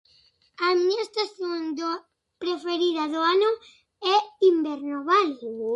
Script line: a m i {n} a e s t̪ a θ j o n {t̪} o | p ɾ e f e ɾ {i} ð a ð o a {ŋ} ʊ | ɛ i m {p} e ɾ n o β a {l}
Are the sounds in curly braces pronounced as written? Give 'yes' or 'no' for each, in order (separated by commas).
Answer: no, no, yes, no, no, yes